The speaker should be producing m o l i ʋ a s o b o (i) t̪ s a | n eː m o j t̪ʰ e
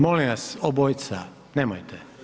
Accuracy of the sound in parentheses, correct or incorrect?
incorrect